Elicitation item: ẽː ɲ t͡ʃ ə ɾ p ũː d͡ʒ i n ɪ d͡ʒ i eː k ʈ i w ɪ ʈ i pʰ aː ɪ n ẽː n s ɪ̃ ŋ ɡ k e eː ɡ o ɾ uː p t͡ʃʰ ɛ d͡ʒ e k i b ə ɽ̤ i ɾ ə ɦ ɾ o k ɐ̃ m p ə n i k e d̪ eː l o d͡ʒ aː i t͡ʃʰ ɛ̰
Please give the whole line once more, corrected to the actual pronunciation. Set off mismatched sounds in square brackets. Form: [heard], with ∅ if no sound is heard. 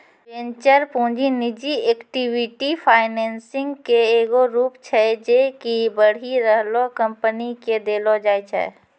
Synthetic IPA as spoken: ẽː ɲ t͡ʃ ə ɾ p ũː d͡ʒ i n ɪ d͡ʒ i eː k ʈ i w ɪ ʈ i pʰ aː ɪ n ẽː n s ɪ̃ ŋ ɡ k e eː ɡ o ɾ uː p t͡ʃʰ ɛ d͡ʒ e k i b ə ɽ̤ i ɾ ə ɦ [l] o k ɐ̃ m p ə n i k e d̪ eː l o d͡ʒ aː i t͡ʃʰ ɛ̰

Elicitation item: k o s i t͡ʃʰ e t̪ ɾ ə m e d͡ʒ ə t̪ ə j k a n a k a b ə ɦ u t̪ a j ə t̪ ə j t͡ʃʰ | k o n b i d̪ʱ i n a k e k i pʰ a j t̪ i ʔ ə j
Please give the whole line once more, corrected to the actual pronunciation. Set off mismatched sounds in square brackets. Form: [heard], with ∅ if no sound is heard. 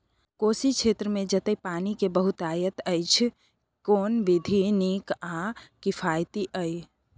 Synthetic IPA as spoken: k o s i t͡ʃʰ e t̪ ɾ ə m e d͡ʒ ə t̪ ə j [p] a n [i] k [e] b ə ɦ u t̪ a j ə t̪ ə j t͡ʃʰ | k o n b i d̪ʱ i n [i] k [a] k i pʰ a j t̪ i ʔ ə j

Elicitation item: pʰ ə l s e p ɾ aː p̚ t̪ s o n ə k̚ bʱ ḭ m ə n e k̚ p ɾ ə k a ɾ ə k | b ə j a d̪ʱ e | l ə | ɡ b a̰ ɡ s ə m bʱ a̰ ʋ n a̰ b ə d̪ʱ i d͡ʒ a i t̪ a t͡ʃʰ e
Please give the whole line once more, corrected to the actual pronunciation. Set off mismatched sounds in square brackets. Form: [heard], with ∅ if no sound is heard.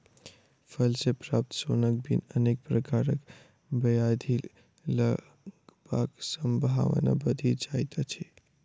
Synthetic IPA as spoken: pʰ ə l s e p ɾ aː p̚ t̪ s o n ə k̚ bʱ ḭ [n] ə n e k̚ p ɾ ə k a ɾ ə k | b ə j a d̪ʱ [i] | l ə | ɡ b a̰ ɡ s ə m bʱ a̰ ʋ n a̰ b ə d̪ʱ i d͡ʒ a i t̪ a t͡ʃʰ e

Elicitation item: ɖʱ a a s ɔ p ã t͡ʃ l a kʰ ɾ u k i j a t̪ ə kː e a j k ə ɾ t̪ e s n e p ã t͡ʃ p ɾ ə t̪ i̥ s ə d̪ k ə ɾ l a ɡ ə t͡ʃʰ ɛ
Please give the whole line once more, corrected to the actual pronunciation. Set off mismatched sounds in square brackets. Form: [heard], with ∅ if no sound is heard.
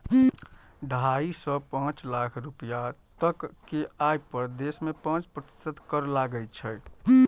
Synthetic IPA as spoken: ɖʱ a [i] s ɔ p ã t͡ʃ l a kʰ ɾ u [p] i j a t̪ ə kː e a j [p] ə ɾ [d̪] e s [m] e p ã t͡ʃ p ɾ ə t̪ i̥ s ə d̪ k ə ɾ l a ɡ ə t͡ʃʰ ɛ

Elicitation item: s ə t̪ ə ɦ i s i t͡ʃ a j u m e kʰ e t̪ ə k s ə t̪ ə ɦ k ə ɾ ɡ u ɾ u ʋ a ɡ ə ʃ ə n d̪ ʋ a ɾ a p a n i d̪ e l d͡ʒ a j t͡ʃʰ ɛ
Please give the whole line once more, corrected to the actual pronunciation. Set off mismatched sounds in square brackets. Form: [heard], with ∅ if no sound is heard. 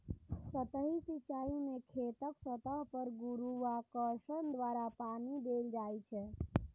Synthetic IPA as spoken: s ə t̪ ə ɦ i s i t͡ʃ a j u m e kʰ e t̪ ə k s ə t̪ ə ɦ [p] ə ɾ ɡ u ɾ u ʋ a [k] ə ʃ ə n d̪ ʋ a ɾ a p a n i d̪ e l d͡ʒ a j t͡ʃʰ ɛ

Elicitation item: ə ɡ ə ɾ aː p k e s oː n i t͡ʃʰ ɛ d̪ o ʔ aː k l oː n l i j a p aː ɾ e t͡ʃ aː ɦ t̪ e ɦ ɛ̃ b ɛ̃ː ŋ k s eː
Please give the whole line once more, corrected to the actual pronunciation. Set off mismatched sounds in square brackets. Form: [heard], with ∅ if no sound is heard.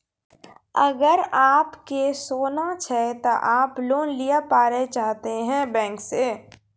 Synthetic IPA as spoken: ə ɡ ə ɾ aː p k e s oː n [a] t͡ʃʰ ɛ [t̪] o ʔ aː [p] l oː n l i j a p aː ɾ e t͡ʃ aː ɦ t̪ e ɦ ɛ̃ b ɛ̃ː ŋ k s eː

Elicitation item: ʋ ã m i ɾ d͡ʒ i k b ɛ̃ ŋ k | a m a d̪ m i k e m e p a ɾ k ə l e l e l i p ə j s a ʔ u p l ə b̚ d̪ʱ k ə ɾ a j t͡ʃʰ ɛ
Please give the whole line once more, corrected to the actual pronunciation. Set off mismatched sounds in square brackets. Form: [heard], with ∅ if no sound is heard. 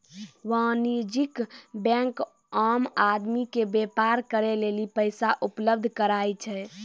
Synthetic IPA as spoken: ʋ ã [n] i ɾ d͡ʒ i k b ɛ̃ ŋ k | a m a d̪ m i k e [b] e p a ɾ k ə [ɾ] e l e l i p ə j s a ʔ u p l ə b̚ d̪ʱ k ə ɾ a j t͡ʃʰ ɛ

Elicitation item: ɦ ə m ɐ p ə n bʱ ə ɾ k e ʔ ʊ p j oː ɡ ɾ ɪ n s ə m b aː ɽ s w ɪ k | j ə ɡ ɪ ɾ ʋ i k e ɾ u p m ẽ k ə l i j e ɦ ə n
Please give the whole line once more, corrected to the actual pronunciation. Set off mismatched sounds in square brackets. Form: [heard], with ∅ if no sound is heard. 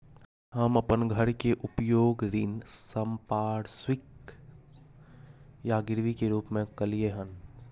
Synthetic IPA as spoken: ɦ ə m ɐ p ə n [ɡʱ] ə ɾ k e ʔ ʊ p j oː ɡ ɾ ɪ n s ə m [p] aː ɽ s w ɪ k | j [a] ɡ ɪ ɾ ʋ i k e ɾ [uː] p m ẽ k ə l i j e ɦ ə n

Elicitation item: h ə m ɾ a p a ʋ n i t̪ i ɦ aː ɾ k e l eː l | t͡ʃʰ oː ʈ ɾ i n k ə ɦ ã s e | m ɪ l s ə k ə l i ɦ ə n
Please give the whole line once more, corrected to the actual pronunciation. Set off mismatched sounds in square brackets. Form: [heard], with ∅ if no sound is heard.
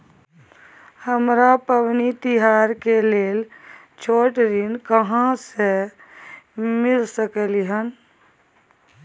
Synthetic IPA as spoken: h ə m ɾ a p [ə] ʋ n i t̪ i ɦ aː ɾ k e l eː l | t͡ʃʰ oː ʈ ɾ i n k ə ɦ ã s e | m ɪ l s ə k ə l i ɦ ə n

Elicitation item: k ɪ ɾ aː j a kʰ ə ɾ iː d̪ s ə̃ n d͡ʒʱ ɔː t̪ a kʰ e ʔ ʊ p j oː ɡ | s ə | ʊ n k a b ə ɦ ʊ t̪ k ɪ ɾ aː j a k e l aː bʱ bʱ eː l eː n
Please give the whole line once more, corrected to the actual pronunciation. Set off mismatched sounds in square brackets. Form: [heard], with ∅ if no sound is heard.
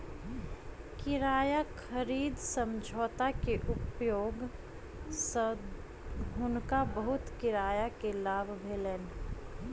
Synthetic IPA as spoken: k ɪ ɾ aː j a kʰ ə ɾ iː d̪ s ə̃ [m] d͡ʒʱ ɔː t̪ a [k] e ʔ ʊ p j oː ɡ | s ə | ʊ n k a b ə ɦ ʊ t̪ k ɪ ɾ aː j a k e l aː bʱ bʱ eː l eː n

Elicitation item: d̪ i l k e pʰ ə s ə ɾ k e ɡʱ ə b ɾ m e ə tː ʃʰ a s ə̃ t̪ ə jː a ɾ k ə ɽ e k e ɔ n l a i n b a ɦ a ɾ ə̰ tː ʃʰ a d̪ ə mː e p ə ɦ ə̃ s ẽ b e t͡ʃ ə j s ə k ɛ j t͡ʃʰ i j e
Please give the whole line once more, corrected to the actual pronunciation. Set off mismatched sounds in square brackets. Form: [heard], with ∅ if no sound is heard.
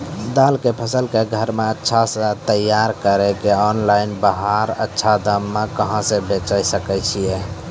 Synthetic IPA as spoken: d̪ [a] l k e pʰ ə s ə [l] k e ɡʱ ə [∅] ɾ m e ə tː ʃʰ a s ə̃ t̪ ə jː a ɾ k ə [ɾ] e k e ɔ n l a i n b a ɦ a ɾ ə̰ tː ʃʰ a d̪ ə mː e [k] ə ɦ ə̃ s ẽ b e t͡ʃ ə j s ə k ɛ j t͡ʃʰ i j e

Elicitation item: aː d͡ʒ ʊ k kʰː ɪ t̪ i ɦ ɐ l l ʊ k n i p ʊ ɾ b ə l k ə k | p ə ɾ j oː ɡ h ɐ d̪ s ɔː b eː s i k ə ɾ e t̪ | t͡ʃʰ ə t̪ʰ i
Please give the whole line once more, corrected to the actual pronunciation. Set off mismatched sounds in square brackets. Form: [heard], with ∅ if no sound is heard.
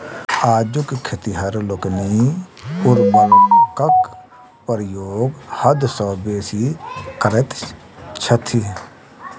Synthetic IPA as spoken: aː d͡ʒ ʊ k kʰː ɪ t̪ i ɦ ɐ [ɾ] l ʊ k n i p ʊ ɾ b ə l k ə k | p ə ɾ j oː ɡ h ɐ d̪ s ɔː b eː s i k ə ɾ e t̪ | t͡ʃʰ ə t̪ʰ i

